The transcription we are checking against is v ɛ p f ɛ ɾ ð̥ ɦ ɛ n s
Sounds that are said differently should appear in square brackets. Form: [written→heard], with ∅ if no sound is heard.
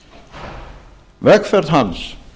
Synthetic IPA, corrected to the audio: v ɛ [p→k] f ɛ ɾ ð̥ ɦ [ɛ→a] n s